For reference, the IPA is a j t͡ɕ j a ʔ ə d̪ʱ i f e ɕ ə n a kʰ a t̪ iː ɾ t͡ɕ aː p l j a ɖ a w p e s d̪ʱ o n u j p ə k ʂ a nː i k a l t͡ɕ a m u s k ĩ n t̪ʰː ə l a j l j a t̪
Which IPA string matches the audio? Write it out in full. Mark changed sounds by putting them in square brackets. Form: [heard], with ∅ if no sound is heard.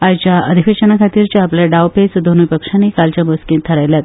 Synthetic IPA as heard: a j t͡ɕ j a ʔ ə d̪ʱ i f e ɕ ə n a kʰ a t̪ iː ɾ t͡ɕ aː p l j a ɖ a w p e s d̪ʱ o n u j p ə k ʂ a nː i k a l t͡ɕ a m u s k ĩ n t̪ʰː ə [ɾ] a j l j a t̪